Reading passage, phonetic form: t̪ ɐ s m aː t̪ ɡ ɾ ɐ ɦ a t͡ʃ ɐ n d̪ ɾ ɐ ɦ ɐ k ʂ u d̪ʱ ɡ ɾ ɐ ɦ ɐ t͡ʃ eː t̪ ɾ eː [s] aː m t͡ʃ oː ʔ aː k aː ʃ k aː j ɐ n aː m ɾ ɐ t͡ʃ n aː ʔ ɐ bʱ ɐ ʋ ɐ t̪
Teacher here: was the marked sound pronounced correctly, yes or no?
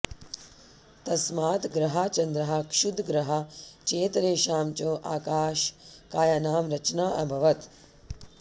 no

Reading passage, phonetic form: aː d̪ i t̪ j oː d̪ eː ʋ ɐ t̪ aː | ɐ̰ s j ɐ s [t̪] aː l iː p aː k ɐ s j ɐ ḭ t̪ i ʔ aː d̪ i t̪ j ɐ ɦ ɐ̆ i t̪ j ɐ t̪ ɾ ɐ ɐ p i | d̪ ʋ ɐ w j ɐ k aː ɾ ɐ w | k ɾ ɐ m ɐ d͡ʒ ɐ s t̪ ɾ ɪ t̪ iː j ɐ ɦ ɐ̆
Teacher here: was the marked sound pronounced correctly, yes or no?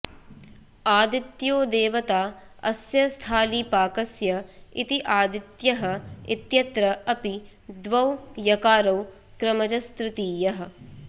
no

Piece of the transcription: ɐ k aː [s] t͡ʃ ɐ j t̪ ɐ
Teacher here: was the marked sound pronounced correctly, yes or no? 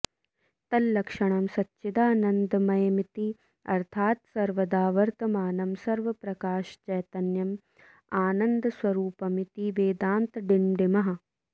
no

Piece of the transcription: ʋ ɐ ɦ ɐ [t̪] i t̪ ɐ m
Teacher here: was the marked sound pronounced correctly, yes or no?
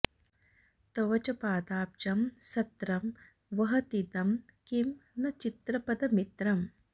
yes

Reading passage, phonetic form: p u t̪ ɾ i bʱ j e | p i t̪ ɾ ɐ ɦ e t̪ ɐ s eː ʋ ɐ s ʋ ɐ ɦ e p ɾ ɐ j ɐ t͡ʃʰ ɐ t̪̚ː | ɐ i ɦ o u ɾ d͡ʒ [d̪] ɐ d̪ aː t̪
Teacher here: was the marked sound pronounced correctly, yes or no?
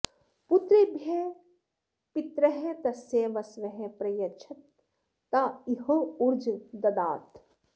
yes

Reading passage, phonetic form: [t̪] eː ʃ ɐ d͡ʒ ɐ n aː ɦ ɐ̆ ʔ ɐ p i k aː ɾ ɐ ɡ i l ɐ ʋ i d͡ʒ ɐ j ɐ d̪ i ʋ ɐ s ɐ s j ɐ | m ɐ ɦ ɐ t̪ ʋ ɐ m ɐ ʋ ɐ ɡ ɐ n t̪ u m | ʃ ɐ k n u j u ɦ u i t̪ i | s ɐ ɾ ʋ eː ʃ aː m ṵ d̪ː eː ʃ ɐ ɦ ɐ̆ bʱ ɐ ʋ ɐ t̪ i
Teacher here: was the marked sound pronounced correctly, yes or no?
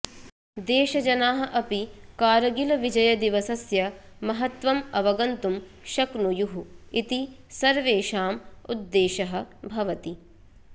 no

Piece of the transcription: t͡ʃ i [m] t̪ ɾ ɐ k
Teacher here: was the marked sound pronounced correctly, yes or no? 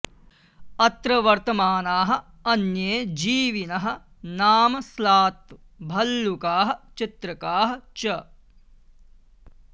no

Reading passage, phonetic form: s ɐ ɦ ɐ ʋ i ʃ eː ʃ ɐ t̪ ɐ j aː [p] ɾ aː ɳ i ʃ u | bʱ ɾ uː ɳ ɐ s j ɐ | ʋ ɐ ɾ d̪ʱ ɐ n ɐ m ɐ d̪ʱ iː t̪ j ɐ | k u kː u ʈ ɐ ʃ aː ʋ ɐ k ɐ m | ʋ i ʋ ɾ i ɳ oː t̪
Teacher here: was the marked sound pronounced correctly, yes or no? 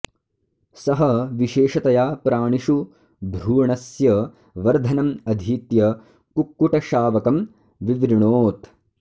yes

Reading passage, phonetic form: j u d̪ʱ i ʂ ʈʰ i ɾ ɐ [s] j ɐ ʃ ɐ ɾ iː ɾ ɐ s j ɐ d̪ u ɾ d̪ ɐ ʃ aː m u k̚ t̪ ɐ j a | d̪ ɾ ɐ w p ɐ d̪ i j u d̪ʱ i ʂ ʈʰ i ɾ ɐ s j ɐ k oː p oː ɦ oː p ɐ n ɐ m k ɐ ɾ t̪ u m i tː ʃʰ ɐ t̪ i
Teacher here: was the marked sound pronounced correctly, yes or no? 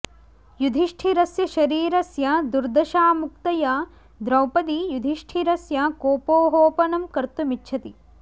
yes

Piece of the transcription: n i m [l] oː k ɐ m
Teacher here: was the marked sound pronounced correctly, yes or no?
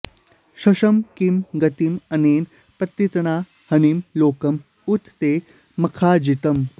yes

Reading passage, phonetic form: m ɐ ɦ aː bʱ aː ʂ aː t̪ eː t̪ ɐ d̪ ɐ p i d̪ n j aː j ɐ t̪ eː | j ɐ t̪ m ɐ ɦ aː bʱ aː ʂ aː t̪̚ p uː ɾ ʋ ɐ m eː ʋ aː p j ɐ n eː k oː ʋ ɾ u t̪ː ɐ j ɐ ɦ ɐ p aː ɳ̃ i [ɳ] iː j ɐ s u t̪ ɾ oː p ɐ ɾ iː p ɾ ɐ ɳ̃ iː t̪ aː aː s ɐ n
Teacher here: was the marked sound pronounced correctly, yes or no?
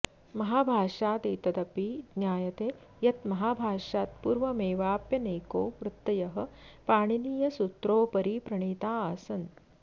no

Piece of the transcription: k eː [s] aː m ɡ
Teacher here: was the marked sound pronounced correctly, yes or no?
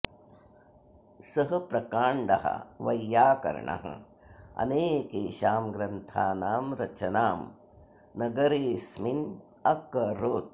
no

